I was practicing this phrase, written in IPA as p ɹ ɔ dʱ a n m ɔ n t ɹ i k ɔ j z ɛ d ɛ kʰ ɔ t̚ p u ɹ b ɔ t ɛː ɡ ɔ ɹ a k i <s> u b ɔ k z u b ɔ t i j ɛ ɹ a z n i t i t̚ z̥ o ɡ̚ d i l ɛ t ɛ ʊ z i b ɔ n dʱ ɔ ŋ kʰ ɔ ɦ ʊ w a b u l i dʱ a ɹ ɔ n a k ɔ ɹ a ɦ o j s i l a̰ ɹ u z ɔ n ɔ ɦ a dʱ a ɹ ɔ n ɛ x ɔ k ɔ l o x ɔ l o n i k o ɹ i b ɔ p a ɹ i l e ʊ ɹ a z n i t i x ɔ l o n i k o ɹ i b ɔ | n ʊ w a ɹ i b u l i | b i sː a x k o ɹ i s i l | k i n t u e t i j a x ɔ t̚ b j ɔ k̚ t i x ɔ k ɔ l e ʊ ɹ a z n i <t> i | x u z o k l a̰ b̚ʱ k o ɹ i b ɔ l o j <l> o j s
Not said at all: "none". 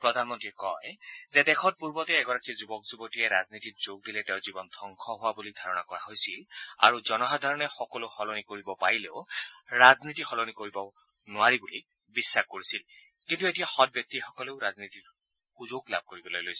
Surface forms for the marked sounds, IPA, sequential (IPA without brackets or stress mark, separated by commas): z, t, l